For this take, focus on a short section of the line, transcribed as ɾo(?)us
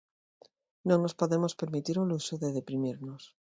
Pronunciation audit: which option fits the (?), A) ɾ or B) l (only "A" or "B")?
B